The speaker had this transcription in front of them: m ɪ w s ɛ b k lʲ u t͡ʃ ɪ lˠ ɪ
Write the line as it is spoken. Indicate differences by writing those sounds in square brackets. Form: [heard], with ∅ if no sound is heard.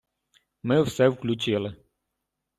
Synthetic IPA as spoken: m ɪ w s ɛ [w] k lʲ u t͡ʃ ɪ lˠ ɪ